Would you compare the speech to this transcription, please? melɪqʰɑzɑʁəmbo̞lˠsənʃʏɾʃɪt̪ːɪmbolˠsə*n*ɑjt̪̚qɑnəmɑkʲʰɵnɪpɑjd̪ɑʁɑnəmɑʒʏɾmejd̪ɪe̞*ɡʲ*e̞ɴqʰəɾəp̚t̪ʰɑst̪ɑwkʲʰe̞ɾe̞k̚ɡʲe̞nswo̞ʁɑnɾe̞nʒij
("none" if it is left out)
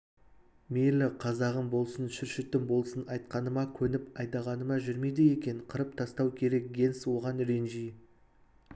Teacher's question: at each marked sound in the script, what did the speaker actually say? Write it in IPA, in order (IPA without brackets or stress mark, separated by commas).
n, kʲ